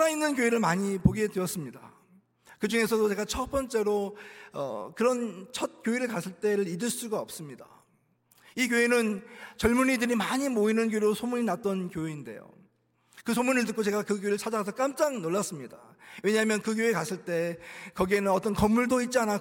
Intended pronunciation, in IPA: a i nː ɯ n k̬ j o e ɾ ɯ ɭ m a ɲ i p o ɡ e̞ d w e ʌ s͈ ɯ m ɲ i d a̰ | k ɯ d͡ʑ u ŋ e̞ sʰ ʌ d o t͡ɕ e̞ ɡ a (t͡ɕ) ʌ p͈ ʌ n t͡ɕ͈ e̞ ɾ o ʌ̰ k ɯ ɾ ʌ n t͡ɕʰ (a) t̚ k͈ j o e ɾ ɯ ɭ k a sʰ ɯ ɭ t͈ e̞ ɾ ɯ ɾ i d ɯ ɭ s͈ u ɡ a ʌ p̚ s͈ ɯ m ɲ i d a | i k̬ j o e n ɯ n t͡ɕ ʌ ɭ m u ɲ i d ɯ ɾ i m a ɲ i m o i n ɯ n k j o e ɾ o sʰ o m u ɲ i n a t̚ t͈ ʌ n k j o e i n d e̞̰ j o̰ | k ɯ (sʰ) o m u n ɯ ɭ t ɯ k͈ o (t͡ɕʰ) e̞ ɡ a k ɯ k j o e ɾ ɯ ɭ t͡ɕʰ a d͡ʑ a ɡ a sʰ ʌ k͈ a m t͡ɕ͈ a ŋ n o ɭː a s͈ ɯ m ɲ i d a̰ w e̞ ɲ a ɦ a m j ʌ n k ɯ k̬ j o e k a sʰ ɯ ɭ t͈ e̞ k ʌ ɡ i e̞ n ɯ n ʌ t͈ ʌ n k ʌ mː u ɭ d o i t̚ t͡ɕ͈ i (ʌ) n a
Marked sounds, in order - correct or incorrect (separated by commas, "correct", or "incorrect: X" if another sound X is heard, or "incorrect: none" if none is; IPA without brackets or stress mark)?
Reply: incorrect: t͡ɕʰ, incorrect: ʌ, correct, incorrect: t͡ɕ, incorrect: a